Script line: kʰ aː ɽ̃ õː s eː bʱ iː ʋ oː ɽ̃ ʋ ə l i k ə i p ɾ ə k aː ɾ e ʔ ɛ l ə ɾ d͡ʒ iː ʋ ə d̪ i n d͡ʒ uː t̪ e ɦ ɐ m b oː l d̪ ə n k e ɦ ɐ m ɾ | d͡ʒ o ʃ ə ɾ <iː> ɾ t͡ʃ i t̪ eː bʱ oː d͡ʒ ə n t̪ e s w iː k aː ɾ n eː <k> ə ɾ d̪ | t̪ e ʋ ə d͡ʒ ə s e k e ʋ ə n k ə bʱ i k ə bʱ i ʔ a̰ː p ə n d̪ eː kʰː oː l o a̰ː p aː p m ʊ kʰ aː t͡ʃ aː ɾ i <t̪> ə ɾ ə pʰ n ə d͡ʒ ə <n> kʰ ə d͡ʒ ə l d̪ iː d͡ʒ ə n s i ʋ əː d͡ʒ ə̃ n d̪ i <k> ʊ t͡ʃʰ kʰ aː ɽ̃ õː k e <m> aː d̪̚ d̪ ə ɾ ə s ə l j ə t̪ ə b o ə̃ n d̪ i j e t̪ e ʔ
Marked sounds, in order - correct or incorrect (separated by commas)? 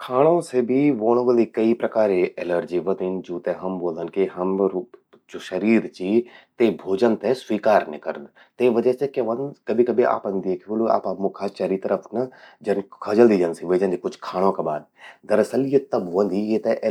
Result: correct, correct, correct, correct, correct, incorrect